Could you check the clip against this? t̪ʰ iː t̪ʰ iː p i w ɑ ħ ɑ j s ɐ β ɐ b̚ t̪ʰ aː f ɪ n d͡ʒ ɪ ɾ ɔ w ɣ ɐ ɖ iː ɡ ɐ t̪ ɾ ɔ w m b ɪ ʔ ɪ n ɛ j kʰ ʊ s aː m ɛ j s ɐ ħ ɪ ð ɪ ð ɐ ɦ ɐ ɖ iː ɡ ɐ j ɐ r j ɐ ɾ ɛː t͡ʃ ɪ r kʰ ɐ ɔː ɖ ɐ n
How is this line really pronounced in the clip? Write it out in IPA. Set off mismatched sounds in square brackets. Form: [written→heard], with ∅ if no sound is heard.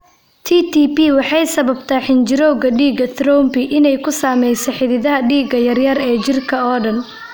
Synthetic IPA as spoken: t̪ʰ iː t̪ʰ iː p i w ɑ ħ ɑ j s ɐ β ɐ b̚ t̪ʰ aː [f→ħ] ɪ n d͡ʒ ɪ ɾ ɔ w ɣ ɐ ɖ iː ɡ ɐ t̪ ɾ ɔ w m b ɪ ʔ ɪ n ɛ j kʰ ʊ s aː m ɛ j s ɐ ħ ɪ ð ɪ ð ɐ ɦ ɐ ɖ iː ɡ ɐ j ɐ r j ɐ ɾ ɛː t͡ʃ ɪ r kʰ ɐ ɔː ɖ ɐ n